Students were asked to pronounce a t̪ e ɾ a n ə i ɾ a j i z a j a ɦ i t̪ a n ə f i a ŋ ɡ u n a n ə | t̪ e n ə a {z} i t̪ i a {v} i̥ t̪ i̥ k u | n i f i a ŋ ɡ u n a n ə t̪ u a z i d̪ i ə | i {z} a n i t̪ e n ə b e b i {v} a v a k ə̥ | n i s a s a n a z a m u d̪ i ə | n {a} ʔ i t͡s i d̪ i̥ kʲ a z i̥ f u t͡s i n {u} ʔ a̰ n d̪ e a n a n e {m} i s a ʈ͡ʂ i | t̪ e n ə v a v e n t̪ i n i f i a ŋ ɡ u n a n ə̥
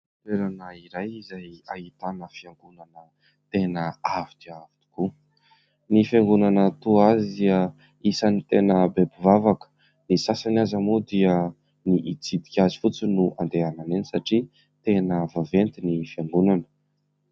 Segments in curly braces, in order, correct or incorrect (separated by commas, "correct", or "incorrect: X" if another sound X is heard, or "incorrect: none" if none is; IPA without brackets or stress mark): incorrect: v, correct, incorrect: s, correct, incorrect: i, correct, incorrect: n